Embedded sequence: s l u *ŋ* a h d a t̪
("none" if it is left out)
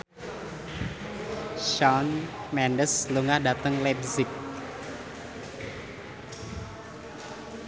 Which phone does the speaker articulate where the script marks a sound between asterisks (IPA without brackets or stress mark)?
ŋ